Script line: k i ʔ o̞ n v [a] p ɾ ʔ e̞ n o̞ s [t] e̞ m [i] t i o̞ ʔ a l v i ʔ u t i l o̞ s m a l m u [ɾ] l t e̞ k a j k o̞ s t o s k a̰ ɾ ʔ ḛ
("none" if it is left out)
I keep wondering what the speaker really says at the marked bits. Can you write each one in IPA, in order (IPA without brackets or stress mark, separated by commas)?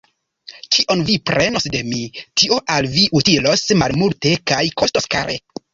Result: i, d, i, none